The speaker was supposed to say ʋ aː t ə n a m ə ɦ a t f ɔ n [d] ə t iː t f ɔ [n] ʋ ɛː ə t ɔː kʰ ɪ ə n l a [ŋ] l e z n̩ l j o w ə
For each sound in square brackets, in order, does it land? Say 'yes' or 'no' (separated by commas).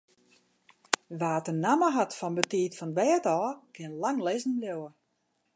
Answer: no, yes, yes